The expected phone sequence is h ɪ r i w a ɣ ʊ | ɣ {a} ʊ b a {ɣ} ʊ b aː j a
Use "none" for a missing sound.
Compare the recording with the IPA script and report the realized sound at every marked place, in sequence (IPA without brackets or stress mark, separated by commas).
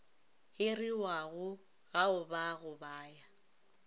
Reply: a, ɣ